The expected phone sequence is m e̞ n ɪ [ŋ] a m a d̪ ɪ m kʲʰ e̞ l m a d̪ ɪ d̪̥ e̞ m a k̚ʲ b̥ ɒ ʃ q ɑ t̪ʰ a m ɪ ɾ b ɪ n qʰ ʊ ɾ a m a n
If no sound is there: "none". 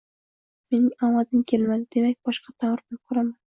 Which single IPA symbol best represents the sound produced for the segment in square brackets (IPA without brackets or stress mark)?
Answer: ŋ